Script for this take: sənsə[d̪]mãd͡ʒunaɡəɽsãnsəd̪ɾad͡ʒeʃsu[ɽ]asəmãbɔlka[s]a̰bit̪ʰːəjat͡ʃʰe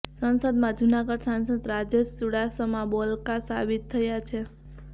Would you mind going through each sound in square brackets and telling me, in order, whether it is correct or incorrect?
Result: correct, correct, correct

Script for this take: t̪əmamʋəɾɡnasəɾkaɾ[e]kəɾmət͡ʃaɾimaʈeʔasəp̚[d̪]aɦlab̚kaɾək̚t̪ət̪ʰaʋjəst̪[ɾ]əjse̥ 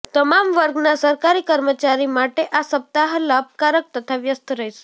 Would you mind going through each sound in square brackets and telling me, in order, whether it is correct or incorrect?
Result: incorrect: i, incorrect: t̪, correct

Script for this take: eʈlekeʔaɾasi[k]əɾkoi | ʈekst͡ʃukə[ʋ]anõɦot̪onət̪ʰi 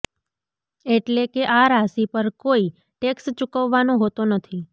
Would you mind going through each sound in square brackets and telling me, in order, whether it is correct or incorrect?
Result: incorrect: p, incorrect: ʋː

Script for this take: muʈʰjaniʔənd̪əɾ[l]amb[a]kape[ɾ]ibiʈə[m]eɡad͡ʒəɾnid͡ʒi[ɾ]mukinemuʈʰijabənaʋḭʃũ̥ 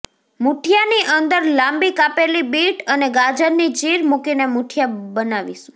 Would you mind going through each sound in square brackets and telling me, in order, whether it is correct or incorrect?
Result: correct, incorrect: i, incorrect: l, incorrect: n, correct

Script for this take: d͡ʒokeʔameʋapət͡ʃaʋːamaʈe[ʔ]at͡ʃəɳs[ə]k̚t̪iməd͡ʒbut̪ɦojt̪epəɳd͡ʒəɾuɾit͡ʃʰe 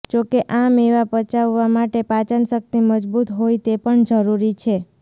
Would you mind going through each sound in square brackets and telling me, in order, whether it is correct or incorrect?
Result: incorrect: p, correct

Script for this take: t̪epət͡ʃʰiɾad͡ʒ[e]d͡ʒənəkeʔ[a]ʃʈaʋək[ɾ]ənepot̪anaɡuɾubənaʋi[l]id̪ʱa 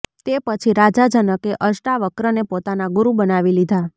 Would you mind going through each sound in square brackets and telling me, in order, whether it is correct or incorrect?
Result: incorrect: a, incorrect: ə, correct, correct

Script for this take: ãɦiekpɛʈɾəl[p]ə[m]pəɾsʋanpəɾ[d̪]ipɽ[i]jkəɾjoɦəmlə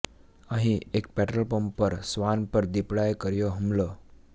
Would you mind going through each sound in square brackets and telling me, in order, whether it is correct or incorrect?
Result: correct, correct, correct, incorrect: a

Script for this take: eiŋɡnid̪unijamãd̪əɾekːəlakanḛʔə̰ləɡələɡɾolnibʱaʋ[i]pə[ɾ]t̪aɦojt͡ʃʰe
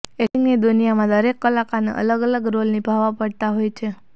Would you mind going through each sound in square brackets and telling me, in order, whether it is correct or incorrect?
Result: incorrect: a, incorrect: ɽ

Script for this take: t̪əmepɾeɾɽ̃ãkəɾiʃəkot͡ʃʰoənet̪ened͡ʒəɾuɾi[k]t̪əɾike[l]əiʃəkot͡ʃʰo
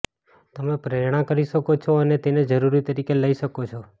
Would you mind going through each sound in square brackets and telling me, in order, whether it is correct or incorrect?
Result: incorrect: none, correct

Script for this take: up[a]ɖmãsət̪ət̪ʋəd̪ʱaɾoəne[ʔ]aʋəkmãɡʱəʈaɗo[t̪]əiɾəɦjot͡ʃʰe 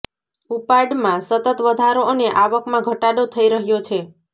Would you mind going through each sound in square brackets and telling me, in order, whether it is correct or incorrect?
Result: correct, correct, incorrect: t̪ʰ

